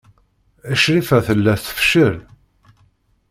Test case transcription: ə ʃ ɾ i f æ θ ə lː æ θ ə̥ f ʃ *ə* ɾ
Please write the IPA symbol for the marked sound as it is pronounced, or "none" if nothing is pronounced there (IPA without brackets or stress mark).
ə